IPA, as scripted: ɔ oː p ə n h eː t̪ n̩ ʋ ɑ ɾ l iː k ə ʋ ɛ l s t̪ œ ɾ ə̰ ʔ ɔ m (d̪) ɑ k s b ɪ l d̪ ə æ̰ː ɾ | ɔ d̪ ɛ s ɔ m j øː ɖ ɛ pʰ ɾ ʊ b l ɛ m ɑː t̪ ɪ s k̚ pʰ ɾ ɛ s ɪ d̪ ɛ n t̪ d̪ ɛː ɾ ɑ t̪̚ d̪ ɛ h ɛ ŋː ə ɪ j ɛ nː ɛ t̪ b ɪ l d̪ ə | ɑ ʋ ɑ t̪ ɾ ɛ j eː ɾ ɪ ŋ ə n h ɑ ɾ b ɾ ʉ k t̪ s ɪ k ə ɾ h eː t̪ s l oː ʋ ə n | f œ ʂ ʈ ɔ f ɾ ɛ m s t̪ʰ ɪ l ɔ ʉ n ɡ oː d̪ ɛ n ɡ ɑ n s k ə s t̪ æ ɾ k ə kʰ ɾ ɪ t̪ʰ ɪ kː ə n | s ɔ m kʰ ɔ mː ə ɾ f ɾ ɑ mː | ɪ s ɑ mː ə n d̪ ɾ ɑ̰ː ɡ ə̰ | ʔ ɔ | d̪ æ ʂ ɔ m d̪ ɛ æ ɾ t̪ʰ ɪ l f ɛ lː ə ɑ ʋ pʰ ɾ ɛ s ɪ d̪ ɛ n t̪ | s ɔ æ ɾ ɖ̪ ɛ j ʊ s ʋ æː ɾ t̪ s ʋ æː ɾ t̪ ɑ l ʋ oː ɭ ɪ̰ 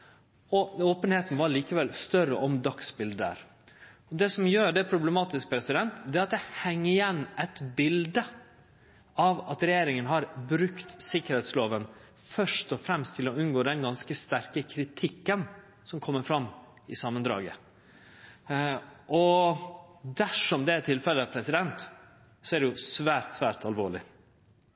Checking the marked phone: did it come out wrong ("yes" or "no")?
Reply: no